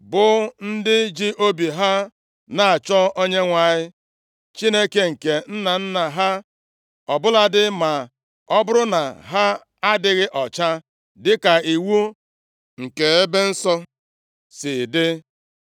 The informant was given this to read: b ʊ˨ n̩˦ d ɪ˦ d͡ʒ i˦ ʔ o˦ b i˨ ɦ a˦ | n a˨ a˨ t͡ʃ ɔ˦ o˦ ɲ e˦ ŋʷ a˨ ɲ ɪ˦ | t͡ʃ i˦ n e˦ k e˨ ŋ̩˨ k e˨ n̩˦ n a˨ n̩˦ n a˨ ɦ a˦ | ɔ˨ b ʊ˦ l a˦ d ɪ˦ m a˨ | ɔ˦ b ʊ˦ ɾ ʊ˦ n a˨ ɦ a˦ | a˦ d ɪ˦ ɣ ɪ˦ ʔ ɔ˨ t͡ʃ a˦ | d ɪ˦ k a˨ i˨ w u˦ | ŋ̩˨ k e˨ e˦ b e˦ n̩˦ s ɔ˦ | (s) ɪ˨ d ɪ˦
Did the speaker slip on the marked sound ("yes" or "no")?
no